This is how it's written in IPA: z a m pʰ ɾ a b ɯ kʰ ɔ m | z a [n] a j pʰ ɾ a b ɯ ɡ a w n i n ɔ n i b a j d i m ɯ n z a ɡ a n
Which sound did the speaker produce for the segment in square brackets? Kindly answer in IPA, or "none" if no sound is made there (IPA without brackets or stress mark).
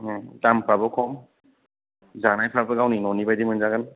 n